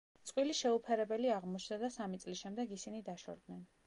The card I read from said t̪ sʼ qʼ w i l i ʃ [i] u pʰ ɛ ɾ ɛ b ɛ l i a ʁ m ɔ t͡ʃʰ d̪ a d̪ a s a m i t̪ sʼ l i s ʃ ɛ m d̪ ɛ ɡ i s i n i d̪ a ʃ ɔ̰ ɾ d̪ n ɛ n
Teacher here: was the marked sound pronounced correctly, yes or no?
no